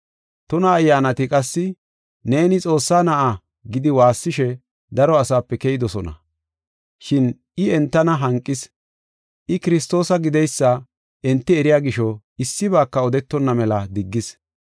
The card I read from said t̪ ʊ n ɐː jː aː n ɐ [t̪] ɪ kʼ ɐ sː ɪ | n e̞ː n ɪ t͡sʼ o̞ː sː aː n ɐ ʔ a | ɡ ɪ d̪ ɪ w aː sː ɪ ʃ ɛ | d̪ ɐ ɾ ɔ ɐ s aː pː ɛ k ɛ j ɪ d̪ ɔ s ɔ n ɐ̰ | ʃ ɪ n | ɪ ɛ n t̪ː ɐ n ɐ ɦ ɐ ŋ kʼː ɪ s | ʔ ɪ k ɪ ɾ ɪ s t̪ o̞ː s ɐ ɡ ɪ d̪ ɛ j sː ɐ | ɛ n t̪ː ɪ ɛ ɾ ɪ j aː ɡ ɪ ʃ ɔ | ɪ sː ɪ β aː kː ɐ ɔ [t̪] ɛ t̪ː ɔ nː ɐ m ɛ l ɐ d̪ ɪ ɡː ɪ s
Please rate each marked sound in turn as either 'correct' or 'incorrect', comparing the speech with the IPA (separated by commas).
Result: correct, incorrect